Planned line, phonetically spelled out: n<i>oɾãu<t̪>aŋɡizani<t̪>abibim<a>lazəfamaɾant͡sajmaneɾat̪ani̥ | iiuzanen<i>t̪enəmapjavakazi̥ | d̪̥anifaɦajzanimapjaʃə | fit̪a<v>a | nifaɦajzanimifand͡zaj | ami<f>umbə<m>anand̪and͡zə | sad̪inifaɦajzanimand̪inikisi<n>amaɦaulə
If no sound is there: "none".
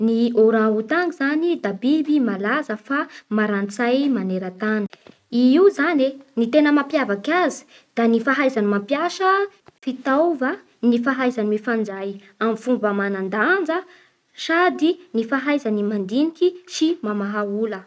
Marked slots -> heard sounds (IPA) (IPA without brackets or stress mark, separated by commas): i, t̪, d̪, a, i, v, f, m, m